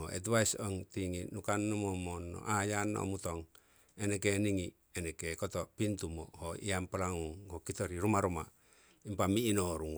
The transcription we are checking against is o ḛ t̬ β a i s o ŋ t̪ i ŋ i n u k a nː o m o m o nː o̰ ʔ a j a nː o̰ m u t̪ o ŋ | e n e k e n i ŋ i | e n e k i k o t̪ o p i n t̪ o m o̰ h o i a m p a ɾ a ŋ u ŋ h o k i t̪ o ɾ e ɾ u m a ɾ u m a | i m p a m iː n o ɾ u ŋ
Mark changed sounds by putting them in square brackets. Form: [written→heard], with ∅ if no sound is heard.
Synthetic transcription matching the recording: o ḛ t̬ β a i s o ŋ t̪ i ŋ i n u k a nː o m o m o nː o̰ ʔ a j a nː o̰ m u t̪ o ŋ | e n e k e n i ŋ i | e n e k [i→e] k o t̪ o p i n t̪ [o→u] m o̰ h o i a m p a [ɾ→l] a ŋ u ŋ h o k i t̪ o ɾ [e→i] ɾ u m a ɾ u m a | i m p a m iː n o ɾ u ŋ